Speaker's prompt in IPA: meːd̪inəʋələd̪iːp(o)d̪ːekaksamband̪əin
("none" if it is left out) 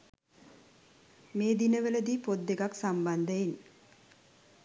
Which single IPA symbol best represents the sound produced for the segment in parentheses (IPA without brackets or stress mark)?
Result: o